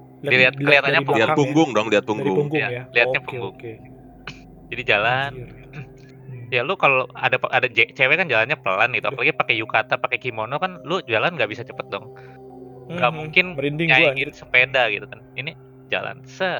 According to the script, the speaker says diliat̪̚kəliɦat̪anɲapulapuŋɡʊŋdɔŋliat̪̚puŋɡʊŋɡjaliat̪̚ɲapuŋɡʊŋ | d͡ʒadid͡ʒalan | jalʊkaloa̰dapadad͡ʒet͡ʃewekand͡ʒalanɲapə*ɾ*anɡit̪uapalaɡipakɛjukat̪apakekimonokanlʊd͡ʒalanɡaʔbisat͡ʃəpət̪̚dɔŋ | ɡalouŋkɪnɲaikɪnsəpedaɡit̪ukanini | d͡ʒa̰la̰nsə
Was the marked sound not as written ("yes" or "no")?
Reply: yes